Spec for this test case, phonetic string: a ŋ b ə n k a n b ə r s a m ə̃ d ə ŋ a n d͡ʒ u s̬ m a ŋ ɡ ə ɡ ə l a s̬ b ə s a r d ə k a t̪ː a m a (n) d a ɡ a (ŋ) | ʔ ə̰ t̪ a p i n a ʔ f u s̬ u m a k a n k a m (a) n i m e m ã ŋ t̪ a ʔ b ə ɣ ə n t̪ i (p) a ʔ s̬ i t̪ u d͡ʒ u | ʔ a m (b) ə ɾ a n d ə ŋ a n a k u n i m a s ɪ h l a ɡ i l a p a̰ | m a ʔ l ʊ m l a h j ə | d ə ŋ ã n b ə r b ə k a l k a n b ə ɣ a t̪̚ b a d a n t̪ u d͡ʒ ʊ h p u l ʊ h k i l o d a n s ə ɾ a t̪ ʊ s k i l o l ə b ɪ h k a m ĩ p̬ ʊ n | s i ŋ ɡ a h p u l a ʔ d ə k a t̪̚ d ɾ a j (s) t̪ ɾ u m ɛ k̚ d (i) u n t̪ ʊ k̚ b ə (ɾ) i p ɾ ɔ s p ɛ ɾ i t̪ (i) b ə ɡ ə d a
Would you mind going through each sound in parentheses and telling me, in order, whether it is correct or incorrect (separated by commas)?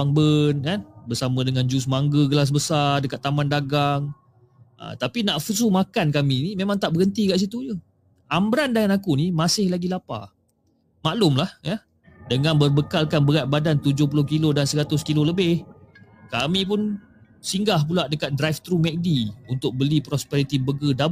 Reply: correct, correct, incorrect, incorrect, correct, incorrect, correct, incorrect, correct